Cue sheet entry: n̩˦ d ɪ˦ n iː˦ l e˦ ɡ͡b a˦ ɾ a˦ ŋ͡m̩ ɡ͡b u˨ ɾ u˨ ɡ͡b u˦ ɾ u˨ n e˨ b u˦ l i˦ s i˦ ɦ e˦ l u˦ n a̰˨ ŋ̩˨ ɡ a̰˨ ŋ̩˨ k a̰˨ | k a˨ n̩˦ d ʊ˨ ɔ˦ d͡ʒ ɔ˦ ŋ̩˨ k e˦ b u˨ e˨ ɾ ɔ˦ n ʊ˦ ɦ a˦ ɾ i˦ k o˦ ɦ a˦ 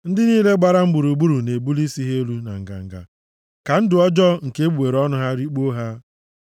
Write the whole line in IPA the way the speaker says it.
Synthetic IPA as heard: n̩˦ d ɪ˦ n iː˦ l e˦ ɡ͡b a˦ ɾ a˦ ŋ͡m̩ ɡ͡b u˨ ɾ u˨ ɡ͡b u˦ ɾ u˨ n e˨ b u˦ l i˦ s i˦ ɦ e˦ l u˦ n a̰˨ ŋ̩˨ ɡ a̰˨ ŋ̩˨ ɡ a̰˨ | k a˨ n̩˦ d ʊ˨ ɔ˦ d͡ʒ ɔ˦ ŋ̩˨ k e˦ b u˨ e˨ ɾ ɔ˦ n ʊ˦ ɦ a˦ ɾ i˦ k͡p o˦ ɦ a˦